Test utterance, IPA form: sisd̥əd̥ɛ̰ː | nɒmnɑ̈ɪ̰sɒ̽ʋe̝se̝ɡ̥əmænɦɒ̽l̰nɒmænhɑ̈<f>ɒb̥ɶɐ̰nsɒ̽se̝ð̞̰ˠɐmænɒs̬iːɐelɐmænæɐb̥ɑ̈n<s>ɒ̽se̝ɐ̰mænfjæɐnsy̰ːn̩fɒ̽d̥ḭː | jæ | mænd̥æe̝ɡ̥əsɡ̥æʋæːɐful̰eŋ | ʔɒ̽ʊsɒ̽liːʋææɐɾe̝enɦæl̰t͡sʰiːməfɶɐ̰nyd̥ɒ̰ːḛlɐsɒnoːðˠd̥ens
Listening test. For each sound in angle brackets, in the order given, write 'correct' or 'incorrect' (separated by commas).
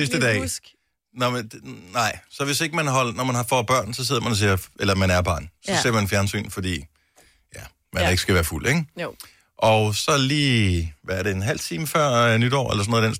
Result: correct, correct